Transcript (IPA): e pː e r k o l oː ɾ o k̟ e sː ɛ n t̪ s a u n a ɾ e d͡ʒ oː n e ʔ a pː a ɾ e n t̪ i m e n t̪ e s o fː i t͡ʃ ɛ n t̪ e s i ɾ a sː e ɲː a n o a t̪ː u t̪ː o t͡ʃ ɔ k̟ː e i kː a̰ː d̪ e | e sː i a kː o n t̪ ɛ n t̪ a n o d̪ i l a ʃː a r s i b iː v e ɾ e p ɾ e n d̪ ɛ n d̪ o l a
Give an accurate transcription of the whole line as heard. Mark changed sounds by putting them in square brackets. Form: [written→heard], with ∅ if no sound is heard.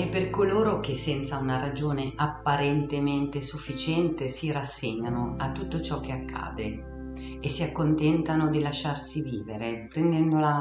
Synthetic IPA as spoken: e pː e r k o l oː ɾ o k̟ e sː ɛ n t̪ s a u n a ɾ [e→a] d͡ʒ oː n e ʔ a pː a ɾ e n t̪ [i→e] m e n t̪ e s [o→u] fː i t͡ʃ ɛ n t̪ e s i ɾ a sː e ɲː a n o a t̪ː u t̪ː o t͡ʃ ɔ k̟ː e [i→a] kː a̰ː d̪ e | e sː i a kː o n t̪ ɛ n t̪ a n o d̪ i l a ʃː a r s i [b→v] iː v e ɾ e p ɾ e n d̪ ɛ n d̪ o l a